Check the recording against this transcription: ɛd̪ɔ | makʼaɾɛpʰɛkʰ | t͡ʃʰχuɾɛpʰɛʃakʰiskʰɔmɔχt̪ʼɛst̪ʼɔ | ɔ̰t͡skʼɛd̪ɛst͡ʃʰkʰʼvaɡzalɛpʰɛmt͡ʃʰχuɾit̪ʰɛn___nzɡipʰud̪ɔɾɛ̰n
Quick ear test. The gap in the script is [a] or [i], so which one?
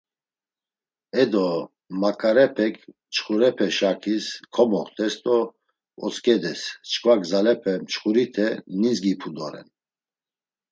i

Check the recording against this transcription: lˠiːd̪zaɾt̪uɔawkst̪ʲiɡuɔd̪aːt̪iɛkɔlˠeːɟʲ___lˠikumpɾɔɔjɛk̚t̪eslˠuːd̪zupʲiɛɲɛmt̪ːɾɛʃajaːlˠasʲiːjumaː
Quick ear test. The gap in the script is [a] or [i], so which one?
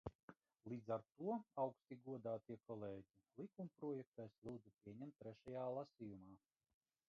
i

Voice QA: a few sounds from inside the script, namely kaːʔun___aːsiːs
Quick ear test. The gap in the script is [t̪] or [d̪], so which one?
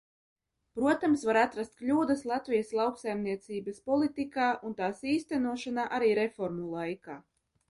t̪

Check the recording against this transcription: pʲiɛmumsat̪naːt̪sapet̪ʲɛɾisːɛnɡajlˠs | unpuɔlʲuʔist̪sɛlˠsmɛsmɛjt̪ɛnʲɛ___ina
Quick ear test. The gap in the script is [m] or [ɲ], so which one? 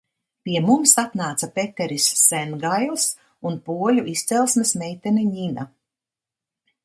ɲ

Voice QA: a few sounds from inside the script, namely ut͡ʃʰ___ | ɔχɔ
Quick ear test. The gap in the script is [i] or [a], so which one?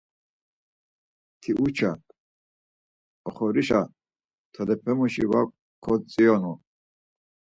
a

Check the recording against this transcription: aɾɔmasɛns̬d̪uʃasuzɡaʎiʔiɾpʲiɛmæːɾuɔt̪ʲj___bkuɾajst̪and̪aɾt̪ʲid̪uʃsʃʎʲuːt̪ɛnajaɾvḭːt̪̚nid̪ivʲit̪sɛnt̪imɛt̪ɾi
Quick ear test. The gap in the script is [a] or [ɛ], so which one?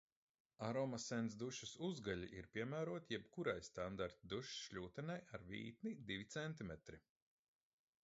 ɛ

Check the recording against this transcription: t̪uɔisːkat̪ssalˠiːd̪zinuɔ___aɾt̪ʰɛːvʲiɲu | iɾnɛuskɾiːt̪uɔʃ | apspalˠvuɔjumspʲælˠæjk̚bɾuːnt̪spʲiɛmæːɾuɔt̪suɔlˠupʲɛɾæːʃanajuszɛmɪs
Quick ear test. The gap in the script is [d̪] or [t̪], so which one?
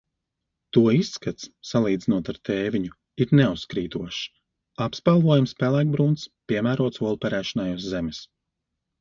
t̪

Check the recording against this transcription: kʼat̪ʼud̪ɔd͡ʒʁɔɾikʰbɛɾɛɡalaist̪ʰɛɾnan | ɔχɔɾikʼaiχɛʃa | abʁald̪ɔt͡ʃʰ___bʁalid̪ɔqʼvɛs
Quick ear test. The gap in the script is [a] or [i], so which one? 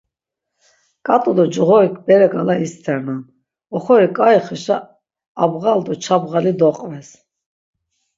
a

